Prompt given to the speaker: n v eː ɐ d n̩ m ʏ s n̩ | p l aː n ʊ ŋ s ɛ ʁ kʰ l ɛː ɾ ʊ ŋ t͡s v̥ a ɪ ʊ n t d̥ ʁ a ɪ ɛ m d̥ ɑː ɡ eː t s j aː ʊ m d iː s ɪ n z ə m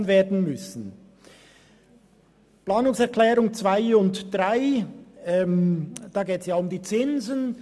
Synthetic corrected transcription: n v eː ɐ d n̩ m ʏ s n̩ | p l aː n ʊ ŋ s ɛ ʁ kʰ l ɛː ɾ ʊ ŋ t͡s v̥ a ɪ ʊ n t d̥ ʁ a ɪ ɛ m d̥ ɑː ɡ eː t s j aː ʊ m d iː t͡s ɪ n z ə n